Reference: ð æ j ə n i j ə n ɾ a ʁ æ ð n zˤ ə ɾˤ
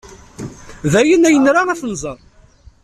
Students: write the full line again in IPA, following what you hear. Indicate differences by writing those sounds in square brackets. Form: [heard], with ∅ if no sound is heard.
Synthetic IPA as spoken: ð æ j ə n [æ] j ə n ɾ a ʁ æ [θ] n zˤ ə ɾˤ

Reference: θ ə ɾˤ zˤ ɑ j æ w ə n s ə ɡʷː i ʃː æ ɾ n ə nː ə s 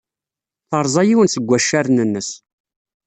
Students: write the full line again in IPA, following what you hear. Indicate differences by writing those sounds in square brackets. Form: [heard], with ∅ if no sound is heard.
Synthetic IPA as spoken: θ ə ɾˤ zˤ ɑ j [i] w ə n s ə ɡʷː [æ] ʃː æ ɾ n ə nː ə s

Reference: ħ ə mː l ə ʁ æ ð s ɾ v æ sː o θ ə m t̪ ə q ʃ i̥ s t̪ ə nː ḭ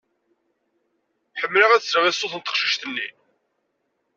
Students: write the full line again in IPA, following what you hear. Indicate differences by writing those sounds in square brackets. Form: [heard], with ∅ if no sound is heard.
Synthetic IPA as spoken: ħ ə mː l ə ʁ æ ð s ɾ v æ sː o θ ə [n] t̪ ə q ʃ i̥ [ʃ] t̪ ə nː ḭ

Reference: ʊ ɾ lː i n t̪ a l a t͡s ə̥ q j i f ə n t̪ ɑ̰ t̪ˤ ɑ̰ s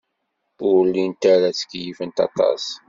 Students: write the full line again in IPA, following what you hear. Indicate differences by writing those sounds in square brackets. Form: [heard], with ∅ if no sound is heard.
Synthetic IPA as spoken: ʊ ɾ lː i n t̪ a [ɾ] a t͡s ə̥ [k] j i f ə n t̪ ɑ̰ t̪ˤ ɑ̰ s

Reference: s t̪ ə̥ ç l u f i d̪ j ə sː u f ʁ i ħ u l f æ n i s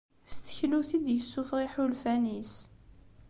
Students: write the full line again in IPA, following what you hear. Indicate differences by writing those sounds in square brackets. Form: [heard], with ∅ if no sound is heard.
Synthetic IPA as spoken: s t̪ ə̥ ç l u [θ] i d̪ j ə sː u f ʁ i ħ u l f æ n i s

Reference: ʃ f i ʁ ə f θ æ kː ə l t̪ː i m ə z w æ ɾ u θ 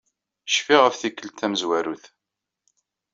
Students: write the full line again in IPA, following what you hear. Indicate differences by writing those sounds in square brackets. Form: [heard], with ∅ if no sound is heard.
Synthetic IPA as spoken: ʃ f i ʁ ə f θ [i] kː ə l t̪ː [æ] m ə z w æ ɾ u θ

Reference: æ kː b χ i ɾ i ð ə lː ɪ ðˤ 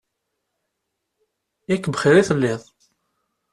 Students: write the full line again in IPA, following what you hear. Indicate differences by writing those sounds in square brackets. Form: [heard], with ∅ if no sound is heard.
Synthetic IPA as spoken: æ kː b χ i ɾ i [θ] ə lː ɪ ðˤ

